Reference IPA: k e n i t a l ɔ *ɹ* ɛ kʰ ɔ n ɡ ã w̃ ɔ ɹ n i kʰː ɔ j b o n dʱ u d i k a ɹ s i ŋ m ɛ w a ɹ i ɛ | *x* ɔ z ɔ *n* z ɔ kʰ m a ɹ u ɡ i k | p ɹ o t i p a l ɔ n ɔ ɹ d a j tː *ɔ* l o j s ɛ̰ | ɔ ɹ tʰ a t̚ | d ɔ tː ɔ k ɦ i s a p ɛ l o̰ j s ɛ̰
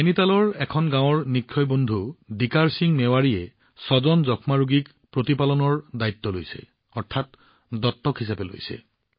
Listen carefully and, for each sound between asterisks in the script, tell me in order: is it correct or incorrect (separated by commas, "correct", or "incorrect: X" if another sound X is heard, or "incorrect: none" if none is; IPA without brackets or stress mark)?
correct, incorrect: s, correct, correct